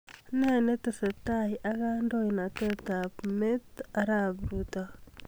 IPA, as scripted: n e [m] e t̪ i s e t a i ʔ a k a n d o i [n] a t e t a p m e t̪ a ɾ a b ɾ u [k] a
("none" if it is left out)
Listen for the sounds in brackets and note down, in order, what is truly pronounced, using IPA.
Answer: n, n, t

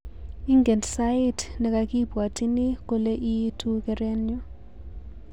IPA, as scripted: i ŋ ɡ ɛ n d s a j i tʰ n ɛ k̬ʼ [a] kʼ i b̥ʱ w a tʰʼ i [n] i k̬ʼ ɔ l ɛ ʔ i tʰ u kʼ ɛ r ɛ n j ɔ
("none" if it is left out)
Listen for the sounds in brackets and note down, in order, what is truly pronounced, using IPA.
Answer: a, n

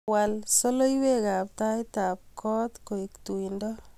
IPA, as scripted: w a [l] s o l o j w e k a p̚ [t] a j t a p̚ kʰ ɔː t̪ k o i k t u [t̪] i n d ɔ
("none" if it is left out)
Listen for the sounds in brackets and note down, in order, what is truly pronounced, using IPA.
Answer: l, t, none

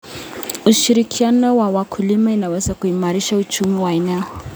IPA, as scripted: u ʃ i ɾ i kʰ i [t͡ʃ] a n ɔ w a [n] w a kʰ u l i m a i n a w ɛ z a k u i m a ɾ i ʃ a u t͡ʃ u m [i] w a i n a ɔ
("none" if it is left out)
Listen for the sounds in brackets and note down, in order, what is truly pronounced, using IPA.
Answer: none, none, i

